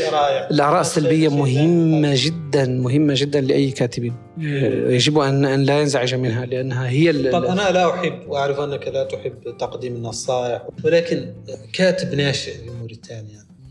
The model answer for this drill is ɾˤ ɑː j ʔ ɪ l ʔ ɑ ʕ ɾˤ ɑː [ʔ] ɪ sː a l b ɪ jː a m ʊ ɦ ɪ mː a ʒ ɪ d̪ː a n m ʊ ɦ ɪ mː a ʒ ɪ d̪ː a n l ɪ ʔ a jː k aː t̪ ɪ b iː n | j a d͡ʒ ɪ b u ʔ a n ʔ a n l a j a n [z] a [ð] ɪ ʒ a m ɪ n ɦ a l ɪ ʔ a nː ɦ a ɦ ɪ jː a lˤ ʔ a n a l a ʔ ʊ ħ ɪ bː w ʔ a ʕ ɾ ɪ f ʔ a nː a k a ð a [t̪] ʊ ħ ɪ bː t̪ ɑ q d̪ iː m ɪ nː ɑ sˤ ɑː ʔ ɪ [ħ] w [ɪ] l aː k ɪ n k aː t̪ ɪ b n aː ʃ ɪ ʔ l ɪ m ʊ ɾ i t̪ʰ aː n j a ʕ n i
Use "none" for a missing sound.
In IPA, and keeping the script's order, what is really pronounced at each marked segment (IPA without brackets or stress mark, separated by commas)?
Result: ʔ, z, ʕ, t̪, ħ, ɪ